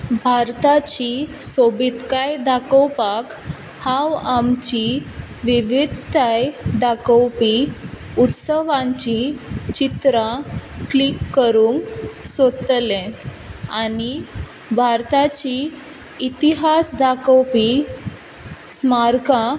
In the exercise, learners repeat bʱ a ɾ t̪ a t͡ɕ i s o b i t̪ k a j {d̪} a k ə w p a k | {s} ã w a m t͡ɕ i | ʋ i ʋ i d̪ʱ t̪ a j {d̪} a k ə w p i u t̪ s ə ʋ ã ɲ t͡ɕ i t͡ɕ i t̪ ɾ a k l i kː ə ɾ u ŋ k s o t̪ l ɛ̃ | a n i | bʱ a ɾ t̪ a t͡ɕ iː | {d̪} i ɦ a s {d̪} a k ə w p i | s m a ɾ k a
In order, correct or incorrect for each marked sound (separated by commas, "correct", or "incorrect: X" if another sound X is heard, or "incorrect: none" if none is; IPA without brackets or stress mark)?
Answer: correct, incorrect: h, correct, incorrect: t̪, correct